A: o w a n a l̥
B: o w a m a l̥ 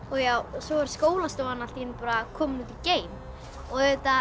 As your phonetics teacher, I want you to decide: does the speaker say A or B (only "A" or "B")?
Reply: A